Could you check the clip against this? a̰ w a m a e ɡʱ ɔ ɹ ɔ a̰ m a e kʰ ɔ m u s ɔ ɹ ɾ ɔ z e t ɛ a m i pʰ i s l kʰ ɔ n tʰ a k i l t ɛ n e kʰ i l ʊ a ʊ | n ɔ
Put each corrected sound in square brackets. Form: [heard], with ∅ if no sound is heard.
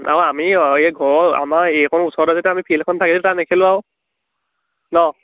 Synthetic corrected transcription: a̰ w a m [i] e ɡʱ ɔ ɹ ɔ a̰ m a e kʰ ɔ [n] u s ɔ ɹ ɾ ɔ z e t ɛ a m i pʰ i [∅] l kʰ ɔ n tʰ a k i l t [a] n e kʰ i l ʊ a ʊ | n ɔ